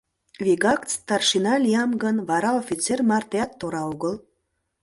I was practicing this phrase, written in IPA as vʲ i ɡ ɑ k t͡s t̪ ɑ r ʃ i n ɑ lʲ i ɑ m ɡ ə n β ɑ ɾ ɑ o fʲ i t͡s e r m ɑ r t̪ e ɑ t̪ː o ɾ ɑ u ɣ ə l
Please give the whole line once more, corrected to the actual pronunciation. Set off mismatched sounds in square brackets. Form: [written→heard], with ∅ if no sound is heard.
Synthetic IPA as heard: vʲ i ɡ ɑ k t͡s t̪ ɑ r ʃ i n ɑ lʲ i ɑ m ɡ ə n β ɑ ɾ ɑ o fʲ i t͡s e r m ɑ r t̪ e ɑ t̪ː o ɾ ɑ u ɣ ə l